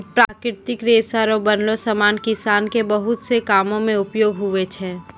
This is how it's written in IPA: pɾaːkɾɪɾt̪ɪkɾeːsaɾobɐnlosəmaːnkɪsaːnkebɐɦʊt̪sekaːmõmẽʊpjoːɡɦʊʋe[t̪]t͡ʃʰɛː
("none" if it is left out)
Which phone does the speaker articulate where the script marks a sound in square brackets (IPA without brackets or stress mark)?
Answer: none